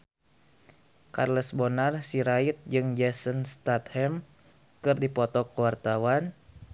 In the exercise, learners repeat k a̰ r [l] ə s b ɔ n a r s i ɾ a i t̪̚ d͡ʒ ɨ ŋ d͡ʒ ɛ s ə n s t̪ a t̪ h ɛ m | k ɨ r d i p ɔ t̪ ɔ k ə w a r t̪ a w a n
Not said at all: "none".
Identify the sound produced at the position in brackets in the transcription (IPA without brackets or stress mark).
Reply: l